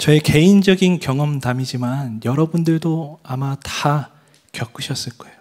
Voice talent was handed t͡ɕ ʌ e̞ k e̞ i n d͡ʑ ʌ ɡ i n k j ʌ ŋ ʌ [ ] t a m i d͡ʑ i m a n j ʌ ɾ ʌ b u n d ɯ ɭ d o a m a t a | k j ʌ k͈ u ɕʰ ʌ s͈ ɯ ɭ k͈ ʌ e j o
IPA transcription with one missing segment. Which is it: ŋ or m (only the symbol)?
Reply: m